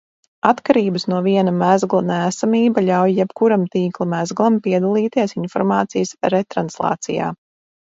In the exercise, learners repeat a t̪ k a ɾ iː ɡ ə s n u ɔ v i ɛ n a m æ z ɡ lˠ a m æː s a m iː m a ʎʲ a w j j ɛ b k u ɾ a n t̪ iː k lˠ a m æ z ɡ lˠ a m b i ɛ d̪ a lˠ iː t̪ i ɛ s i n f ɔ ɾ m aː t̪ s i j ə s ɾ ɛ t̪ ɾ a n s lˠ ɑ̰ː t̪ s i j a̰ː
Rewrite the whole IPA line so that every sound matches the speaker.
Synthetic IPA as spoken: a t̪ k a ɾ iː b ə s n u ɔ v i ɛ n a m æ z ɡ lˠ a n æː s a m iː b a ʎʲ a w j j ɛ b k u ɾ a m t̪ iː k lˠ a m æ z ɡ lˠ a m p i ɛ d̪ a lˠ iː t̪ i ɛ s i n f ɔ ɾ m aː t̪ s i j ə s ɾ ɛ t̪ ɾ a n s lˠ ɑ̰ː t̪ s i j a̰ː